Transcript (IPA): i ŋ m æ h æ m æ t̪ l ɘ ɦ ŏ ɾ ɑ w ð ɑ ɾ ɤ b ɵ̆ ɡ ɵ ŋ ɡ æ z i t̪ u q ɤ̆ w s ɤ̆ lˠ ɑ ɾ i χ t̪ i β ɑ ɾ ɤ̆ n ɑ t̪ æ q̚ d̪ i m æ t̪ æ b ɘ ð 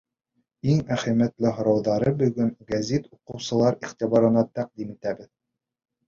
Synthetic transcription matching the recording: i ŋ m æ χ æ m æ t̪ l ɘ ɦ ŏ ɾ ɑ w ð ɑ ɾ ɤ b ɵ̆ ɡ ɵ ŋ ɡ æ z i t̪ u q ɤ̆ w s ɤ̆ lˠ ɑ ɾ i χ t̪ i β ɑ ɾ ɤ̆ n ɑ t̪ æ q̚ d̪ i m i t̪ æ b ɘ ð